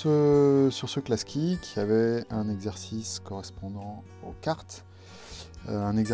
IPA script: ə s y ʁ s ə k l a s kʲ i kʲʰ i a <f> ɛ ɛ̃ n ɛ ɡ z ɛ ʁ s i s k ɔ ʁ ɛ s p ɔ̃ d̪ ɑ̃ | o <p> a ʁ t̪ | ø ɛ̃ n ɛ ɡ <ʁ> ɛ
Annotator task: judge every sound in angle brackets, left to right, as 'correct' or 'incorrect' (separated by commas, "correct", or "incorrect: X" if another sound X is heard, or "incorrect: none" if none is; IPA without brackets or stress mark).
incorrect: v, incorrect: k, incorrect: z